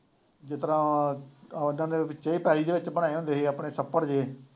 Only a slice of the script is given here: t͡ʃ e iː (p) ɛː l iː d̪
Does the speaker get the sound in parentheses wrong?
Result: no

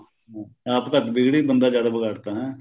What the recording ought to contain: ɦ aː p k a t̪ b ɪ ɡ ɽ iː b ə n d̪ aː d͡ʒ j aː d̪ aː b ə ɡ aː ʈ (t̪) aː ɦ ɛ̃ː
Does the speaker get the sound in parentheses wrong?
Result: no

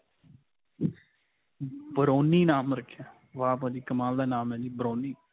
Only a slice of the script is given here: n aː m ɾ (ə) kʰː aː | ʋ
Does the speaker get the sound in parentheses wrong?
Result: no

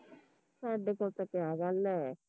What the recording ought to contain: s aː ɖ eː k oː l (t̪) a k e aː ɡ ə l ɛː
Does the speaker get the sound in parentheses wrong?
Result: no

